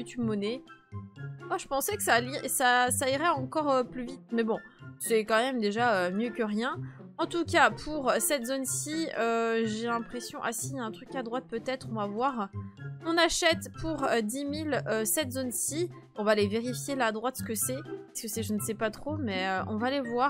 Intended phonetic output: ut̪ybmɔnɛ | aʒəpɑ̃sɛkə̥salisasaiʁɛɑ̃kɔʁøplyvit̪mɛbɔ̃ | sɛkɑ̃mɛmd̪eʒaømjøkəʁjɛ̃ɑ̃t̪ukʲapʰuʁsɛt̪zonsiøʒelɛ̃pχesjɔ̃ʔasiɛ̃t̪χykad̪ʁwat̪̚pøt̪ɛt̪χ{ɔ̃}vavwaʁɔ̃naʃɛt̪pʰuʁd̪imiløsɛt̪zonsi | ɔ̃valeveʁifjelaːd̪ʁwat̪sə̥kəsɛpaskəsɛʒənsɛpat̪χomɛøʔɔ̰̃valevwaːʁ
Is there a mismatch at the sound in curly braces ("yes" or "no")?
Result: no